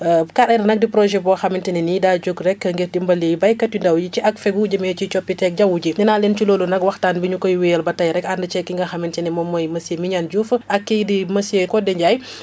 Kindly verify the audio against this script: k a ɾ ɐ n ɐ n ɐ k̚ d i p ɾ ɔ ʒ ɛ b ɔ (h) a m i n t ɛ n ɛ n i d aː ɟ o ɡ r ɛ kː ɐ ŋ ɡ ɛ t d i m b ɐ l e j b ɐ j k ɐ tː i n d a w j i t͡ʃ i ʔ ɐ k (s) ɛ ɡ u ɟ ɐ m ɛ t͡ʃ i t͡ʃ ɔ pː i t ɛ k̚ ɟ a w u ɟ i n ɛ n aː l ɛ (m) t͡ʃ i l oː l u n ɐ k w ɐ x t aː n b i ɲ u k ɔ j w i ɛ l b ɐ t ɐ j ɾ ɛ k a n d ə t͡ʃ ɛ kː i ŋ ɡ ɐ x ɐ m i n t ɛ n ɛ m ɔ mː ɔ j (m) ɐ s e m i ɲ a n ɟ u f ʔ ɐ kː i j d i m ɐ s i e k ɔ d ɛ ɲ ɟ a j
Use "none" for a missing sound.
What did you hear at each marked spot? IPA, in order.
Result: x, f, n, m

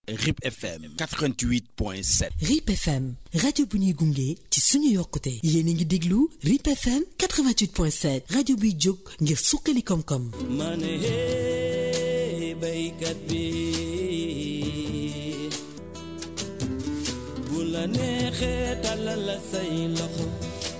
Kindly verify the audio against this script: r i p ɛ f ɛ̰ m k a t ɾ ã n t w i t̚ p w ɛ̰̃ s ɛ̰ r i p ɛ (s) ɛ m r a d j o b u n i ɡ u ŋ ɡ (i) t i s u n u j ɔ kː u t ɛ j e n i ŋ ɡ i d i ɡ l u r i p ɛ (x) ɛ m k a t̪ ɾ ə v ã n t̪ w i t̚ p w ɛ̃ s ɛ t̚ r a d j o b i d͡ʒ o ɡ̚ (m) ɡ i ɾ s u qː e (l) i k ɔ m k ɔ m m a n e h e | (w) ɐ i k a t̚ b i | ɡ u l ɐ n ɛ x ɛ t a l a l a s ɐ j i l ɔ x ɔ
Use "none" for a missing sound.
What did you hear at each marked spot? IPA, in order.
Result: f, e, f, ŋ, l, b

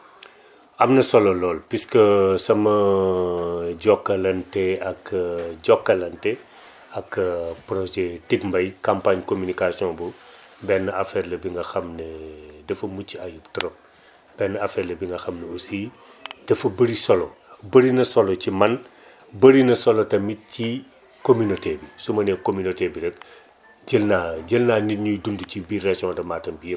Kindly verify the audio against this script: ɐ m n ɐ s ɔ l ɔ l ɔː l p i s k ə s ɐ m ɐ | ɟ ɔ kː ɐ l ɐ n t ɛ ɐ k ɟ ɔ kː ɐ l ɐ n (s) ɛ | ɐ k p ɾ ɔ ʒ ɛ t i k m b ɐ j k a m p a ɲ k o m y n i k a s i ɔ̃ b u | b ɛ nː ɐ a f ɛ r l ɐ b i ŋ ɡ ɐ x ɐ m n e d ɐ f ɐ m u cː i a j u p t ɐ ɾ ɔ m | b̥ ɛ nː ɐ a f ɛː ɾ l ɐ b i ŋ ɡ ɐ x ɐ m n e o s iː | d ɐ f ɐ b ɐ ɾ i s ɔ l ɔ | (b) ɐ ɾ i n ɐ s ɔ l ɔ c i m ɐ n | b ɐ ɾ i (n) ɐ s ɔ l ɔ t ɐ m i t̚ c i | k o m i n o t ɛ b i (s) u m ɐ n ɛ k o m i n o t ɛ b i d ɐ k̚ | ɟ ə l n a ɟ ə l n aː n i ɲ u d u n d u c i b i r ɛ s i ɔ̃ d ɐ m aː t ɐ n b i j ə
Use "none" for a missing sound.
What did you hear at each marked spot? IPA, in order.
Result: t, b, n, s

